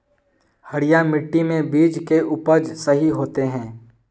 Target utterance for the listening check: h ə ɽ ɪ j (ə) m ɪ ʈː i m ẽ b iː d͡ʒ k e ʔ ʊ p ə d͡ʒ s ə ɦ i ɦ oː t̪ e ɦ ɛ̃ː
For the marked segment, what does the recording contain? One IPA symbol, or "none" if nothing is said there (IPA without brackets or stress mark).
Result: a